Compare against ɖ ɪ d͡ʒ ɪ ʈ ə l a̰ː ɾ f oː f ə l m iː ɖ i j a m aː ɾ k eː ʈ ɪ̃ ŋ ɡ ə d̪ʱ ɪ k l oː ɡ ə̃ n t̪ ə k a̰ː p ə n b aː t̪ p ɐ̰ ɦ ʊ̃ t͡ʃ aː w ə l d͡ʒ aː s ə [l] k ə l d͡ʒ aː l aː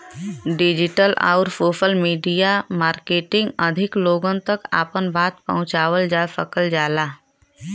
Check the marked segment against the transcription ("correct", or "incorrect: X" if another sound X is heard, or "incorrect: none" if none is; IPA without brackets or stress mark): incorrect: none